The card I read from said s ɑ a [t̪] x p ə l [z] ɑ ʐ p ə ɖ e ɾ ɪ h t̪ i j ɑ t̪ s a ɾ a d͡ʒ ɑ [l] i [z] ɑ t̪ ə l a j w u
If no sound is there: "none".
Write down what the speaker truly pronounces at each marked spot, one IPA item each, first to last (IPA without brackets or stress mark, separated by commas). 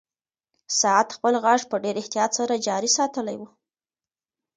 t̪, ɣ, ɾ, s